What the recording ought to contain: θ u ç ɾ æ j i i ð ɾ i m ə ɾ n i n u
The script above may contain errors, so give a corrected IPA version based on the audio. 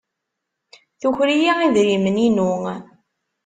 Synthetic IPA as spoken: θ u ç ɾ i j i i ð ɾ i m ə n i n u